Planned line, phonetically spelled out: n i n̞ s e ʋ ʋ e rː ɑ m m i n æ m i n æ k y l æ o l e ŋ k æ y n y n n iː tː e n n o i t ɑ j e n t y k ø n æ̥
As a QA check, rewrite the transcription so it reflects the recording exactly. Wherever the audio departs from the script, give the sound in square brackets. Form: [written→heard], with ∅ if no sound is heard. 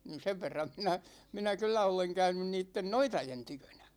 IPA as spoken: n i n̞ s e ʋ ʋ e rː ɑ m m i n æ m i n æ k y [l→lː] æ o l e ŋ k æ y n y n n iː tː e n n o i t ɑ j e n t y k ø n æ̥